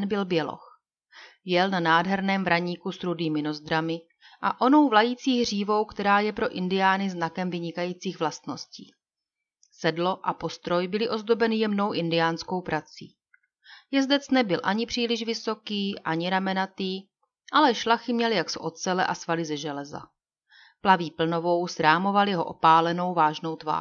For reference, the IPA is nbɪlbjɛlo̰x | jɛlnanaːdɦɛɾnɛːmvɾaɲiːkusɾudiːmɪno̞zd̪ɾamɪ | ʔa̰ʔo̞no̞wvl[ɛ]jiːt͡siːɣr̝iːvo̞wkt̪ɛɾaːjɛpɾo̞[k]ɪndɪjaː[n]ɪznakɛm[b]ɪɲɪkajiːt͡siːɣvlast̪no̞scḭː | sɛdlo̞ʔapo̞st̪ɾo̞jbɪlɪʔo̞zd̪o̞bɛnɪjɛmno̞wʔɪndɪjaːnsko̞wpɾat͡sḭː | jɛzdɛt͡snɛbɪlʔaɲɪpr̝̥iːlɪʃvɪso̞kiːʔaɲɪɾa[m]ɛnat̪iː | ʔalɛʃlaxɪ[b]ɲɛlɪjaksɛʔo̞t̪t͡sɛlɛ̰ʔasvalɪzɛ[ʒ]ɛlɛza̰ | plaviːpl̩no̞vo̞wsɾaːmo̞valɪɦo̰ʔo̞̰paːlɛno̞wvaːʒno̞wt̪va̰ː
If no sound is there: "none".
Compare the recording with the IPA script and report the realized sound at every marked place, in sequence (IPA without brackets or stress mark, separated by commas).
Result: a, ʔ, n, v, m, m, ʒ